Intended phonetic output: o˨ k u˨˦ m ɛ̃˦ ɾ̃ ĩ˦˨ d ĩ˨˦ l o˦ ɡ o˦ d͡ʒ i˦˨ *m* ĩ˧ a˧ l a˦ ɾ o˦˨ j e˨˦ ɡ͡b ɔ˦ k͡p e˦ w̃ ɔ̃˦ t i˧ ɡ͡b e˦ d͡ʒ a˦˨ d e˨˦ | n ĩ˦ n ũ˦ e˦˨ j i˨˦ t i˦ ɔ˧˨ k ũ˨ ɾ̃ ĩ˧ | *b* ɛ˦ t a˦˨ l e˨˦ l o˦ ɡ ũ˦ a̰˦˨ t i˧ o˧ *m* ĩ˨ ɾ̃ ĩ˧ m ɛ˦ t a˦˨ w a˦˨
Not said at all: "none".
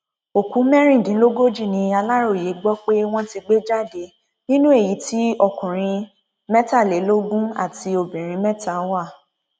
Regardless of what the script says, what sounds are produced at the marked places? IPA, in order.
n, m, b

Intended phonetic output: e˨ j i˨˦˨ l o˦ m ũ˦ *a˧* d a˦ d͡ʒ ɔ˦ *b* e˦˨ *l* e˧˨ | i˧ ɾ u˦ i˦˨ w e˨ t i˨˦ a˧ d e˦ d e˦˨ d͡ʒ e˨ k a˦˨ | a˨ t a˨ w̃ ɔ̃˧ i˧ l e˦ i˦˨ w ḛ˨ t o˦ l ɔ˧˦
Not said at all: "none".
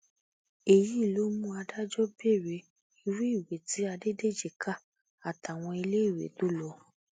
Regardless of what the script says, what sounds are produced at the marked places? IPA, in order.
a˧, b, ɾ

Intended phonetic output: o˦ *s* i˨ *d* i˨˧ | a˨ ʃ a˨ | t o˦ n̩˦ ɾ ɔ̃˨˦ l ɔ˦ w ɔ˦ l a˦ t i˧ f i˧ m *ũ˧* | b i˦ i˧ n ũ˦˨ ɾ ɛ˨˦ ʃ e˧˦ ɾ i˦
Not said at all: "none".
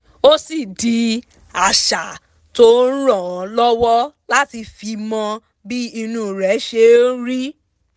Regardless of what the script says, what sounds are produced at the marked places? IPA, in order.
s, d, ɔ̃˧

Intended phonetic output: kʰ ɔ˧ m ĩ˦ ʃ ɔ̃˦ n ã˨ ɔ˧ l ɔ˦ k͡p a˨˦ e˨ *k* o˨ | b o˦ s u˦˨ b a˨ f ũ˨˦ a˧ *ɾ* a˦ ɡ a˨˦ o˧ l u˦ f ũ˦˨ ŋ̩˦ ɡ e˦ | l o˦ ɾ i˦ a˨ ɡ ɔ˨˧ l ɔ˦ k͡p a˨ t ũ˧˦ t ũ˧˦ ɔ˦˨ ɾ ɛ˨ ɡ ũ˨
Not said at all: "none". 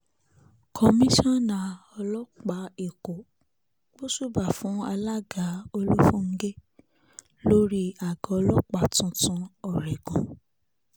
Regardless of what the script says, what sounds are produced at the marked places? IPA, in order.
k, l

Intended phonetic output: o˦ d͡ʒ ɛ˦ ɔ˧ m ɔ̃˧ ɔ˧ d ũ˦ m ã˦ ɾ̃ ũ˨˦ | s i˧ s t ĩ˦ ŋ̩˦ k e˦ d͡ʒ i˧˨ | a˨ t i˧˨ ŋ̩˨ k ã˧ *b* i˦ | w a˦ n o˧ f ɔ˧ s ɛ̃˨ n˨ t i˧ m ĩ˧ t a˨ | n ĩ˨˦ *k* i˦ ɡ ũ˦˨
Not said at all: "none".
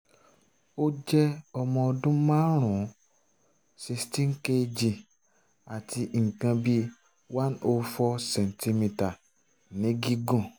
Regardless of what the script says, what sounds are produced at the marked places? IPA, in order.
b, ɡ

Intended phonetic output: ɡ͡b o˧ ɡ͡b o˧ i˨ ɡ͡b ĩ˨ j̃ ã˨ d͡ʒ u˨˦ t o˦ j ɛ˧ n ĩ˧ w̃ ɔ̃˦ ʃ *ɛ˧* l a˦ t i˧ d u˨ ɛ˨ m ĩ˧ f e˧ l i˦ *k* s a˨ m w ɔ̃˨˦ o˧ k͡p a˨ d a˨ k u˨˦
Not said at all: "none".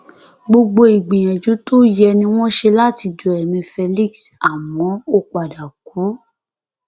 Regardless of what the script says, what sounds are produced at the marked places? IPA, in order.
e˧, k

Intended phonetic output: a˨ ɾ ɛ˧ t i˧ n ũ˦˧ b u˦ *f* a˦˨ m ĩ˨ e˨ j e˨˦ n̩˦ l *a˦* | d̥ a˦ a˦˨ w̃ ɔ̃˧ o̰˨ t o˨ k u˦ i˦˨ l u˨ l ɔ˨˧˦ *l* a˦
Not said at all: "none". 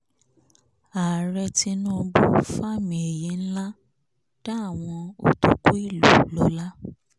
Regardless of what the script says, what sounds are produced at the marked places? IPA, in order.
f, a˦, l

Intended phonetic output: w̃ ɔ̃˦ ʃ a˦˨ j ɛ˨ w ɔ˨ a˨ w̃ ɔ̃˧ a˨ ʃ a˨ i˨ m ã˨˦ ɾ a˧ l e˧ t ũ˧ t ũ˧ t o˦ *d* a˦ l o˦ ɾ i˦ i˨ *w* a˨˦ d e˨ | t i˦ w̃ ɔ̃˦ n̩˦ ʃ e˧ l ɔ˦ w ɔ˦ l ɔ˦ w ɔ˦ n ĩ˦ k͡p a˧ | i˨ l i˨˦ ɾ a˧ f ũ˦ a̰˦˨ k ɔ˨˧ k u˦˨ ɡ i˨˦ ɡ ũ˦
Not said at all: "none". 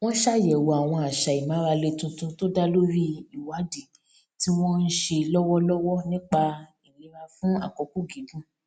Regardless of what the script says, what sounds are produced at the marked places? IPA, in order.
d, w

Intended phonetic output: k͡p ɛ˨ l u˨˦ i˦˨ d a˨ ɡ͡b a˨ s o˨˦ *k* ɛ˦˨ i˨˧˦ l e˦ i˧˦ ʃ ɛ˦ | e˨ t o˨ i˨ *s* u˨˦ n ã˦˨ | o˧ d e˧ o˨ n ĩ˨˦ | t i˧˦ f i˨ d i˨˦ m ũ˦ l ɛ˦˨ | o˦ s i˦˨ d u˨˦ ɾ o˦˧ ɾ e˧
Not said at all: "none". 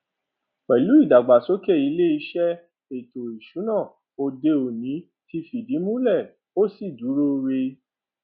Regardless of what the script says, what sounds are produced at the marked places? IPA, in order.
k, ʃ

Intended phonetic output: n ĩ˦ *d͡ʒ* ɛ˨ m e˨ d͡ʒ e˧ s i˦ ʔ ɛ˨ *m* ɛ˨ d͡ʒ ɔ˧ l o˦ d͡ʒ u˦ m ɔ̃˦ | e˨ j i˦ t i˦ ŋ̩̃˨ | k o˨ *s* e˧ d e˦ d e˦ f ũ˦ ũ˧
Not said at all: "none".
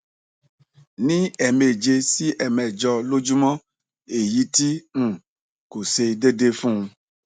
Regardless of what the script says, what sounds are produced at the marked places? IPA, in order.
none, m, s

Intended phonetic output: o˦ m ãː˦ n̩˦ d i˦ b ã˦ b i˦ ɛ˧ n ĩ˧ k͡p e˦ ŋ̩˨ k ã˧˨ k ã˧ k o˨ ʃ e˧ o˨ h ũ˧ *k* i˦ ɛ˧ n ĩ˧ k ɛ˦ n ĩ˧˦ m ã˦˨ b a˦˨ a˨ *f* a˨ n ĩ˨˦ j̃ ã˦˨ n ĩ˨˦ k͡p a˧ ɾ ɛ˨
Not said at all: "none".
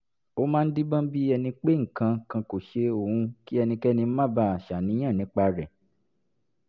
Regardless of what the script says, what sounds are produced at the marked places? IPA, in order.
k, ʃ

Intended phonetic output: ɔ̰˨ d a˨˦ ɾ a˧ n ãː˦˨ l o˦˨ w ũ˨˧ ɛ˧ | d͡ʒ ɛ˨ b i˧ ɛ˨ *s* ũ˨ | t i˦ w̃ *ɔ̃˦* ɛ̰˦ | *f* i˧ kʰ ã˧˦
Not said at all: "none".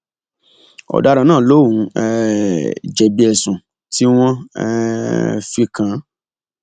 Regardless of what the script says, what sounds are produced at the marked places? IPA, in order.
s, ɔ̃˦, f

